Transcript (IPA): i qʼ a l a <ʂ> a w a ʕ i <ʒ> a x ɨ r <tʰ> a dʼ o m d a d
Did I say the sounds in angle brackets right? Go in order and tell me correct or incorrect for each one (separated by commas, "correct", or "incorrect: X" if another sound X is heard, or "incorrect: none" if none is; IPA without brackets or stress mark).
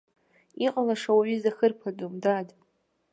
correct, incorrect: z, incorrect: pʰ